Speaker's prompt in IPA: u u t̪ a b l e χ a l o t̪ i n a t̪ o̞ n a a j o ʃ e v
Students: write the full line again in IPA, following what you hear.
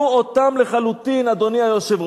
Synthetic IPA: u o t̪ a m l e χ a l u t̪ i n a d̪ o̞ n i a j o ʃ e v